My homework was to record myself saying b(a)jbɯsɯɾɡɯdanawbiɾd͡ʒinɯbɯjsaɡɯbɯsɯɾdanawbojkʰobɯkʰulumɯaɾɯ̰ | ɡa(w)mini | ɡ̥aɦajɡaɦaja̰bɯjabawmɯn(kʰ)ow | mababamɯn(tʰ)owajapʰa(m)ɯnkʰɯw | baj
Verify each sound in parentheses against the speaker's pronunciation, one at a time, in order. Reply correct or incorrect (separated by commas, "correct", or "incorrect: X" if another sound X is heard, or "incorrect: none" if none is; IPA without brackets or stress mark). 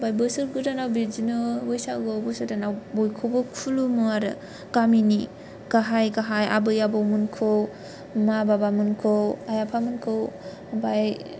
correct, incorrect: none, correct, incorrect: kʰ, correct